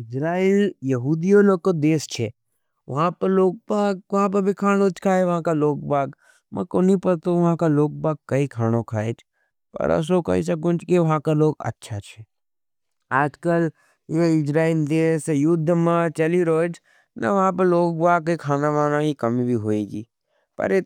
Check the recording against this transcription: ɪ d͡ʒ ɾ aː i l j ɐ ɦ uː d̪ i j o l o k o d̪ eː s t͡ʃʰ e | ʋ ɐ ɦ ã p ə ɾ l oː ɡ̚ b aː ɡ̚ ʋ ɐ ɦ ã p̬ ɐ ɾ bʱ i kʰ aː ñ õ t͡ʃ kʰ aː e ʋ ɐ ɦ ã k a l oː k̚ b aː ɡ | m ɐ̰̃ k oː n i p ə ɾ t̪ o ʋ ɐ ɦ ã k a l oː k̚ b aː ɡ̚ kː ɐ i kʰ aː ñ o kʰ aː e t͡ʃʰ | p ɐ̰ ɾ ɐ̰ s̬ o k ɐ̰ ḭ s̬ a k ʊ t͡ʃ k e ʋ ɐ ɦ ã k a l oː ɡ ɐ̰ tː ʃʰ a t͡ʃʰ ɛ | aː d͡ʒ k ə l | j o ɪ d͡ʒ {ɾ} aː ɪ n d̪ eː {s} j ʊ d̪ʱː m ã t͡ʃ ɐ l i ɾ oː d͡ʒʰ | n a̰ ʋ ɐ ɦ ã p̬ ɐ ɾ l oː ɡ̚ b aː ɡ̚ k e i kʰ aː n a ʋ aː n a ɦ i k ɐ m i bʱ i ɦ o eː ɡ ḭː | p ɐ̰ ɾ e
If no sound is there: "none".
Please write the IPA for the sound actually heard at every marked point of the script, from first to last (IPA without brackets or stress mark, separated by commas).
ɾ, s